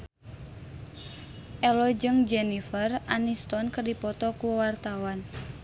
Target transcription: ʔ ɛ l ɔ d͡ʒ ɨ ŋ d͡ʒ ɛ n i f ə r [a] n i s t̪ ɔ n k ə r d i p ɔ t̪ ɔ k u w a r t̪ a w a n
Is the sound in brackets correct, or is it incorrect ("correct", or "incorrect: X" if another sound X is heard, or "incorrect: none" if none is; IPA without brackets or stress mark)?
correct